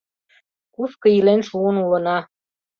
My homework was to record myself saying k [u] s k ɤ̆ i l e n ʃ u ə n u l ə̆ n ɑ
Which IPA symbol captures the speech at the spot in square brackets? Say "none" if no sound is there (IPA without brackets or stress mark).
u